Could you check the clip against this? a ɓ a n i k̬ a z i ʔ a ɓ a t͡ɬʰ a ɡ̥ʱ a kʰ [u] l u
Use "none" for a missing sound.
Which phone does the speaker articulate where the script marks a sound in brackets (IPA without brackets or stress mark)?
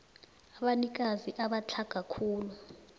uː